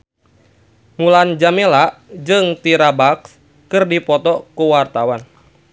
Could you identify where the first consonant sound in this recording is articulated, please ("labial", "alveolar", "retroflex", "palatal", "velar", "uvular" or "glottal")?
labial